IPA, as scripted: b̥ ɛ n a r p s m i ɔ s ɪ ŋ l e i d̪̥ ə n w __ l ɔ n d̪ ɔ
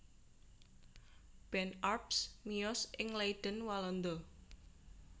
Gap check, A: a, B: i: A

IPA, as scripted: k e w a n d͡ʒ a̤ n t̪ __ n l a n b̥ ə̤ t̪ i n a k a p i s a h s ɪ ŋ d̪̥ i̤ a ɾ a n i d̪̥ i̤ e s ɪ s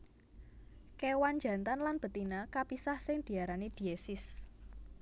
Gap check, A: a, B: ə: A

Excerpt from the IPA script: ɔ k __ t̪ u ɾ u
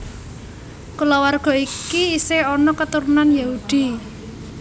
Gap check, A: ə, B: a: A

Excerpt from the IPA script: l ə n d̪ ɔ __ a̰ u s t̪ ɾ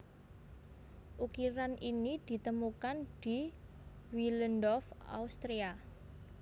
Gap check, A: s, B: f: B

